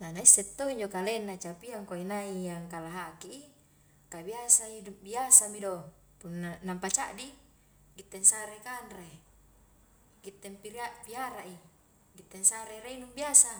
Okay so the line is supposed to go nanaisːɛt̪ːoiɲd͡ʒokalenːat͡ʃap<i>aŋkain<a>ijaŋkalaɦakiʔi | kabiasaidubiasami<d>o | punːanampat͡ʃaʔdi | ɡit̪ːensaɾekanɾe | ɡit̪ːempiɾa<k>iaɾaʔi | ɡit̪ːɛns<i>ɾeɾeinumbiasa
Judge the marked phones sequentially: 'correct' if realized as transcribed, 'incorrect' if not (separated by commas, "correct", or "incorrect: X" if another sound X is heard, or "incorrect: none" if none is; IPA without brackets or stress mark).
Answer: correct, correct, correct, incorrect: p, incorrect: a